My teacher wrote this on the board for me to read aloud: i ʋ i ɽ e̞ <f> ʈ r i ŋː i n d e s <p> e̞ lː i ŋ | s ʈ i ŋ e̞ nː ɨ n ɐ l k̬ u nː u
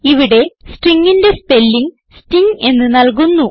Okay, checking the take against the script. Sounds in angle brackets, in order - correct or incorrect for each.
incorrect: s, correct

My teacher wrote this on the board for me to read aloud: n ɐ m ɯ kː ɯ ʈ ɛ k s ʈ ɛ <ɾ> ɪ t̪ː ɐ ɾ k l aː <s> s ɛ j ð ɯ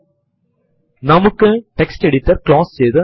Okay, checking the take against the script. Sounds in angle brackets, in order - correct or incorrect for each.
incorrect: ɽ, correct

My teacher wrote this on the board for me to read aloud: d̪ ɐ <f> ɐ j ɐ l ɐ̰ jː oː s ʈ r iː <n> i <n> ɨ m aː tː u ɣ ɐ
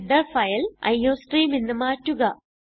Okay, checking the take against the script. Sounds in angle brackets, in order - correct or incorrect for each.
correct, incorrect: m, incorrect: nː

